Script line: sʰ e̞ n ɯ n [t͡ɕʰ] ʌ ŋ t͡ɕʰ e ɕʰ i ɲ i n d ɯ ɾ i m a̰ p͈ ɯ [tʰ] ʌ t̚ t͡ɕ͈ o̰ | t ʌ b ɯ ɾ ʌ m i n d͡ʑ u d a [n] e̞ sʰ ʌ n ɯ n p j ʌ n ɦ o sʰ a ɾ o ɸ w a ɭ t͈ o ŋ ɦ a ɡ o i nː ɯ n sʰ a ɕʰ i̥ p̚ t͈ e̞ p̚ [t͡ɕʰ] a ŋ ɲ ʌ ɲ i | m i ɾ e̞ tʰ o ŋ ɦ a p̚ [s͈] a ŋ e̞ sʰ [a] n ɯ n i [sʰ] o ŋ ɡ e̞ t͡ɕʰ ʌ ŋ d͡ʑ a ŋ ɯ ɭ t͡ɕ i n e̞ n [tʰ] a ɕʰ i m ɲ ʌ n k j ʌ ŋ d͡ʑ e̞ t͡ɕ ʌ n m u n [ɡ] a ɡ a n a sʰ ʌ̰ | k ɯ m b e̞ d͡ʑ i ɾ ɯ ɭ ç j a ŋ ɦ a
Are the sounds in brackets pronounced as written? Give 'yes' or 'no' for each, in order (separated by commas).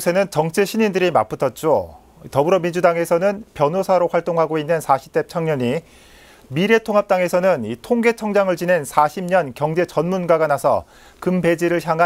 no, yes, no, yes, no, no, no, no, yes